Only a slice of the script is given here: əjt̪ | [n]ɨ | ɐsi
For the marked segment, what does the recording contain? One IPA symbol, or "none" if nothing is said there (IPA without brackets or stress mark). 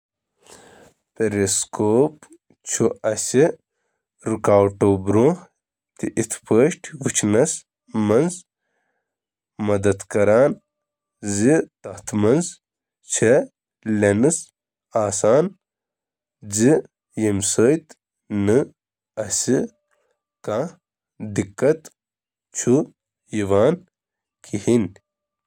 n